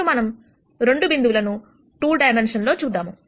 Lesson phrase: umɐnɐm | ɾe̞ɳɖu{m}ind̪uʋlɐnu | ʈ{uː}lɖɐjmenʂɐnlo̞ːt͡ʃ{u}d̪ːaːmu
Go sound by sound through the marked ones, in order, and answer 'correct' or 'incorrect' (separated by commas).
incorrect, correct, incorrect